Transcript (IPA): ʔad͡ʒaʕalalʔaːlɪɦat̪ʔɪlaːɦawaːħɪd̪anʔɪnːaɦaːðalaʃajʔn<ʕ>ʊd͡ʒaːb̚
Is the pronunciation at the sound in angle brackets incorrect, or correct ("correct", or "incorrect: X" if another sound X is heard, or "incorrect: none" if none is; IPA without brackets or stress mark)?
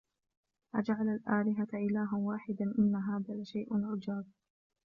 correct